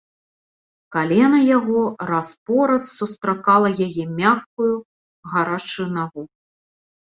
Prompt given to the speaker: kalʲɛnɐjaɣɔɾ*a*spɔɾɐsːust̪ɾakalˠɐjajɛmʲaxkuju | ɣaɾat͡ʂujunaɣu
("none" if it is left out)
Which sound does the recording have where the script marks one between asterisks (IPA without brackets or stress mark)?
a